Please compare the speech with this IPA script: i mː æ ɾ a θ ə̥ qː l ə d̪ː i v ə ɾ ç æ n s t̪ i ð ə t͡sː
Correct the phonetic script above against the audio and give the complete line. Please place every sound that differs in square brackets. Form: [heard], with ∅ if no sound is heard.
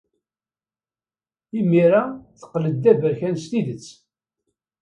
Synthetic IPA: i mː [i] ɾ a θ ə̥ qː l ə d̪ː [æ] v ə ɾ ç æ n s t̪ i ð ə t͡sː